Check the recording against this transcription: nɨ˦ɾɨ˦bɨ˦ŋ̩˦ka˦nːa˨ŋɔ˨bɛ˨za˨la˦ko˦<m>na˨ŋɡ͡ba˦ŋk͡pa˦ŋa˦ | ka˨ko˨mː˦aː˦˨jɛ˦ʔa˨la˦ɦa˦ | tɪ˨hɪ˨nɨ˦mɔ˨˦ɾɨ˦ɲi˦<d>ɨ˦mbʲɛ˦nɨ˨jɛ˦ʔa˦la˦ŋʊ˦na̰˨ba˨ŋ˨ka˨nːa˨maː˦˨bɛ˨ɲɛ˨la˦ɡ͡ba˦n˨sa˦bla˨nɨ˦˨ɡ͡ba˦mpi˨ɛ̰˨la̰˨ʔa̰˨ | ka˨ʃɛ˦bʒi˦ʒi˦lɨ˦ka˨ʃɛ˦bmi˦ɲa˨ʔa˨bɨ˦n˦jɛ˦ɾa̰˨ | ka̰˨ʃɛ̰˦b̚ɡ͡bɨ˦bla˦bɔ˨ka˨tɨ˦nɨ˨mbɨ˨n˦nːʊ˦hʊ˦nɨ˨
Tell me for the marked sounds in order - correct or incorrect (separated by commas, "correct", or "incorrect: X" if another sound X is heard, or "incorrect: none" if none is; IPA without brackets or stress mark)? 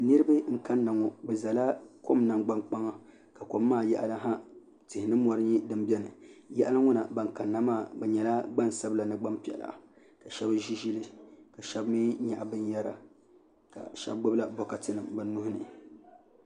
correct, correct